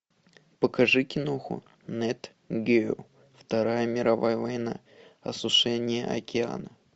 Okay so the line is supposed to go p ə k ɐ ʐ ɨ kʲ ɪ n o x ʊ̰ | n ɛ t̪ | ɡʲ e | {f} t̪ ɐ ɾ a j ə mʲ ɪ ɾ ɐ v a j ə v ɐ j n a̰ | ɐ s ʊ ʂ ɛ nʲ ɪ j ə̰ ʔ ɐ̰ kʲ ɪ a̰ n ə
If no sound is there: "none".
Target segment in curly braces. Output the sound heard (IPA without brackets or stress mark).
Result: f